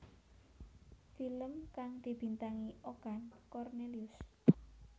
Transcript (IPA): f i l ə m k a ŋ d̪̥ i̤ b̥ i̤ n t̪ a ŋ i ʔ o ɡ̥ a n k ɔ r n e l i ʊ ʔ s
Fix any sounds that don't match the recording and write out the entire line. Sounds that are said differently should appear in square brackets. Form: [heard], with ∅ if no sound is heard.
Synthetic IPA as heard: f i l ə m k a ŋ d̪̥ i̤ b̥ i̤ n t̪ a ŋ i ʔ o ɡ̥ a n k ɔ r n e l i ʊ [∅] s